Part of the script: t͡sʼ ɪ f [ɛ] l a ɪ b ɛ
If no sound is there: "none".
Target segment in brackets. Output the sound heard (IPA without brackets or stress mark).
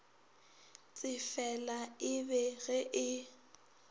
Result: ɛ